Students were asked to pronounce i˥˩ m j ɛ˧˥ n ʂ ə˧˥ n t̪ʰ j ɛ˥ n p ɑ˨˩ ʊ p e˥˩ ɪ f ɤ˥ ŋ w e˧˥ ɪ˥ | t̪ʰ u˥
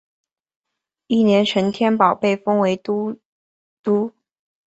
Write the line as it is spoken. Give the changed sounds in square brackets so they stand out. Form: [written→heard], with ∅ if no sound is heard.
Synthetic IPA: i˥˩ [m→n] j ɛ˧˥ n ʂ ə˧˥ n t̪ʰ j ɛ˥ n p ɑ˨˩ ʊ p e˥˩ ɪ f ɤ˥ ŋ w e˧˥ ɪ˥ | [t̪ʰ→t̪] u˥